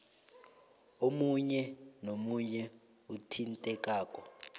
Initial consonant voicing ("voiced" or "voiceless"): voiced